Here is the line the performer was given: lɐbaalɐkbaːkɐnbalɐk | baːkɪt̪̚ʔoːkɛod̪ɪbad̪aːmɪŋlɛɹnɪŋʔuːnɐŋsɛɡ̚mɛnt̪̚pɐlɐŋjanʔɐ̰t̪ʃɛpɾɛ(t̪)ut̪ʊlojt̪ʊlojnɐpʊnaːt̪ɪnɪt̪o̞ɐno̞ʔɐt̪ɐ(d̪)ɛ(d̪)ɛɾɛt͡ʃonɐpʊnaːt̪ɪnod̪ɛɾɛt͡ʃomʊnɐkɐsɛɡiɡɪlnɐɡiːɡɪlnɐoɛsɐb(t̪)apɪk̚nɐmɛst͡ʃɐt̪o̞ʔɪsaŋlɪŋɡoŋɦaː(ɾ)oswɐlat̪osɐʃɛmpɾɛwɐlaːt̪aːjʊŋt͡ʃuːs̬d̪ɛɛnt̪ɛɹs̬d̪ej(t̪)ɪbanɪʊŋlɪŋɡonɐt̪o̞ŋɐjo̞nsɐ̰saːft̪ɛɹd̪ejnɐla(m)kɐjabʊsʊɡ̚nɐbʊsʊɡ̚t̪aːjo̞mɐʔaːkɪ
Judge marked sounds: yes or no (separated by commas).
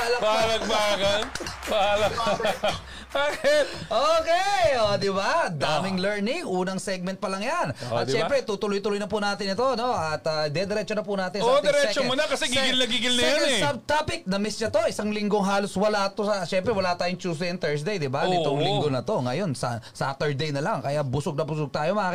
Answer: yes, yes, yes, yes, no, no, no